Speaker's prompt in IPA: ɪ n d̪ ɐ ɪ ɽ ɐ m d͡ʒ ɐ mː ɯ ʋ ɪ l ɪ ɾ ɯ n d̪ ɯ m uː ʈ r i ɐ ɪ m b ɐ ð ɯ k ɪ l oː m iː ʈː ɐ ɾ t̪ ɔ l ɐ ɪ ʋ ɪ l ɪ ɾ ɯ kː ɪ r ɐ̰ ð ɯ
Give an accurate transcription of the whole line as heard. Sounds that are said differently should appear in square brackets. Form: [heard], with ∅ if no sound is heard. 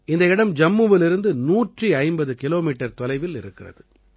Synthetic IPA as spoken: ɪ n d̪ ɐ ɪ ɽ ɐ m d͡ʒ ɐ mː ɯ ʋ ɪ l ɪ ɾ ɯ n d̪ ɯ [n] uː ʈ r i ɐ ɪ m b ɐ ð ɯ k ɪ l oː m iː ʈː ɐ ɾ t̪ ɔ l ɐ ɪ ʋ ɪ l ɪ ɾ ɯ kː ɪ r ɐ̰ ð ɯ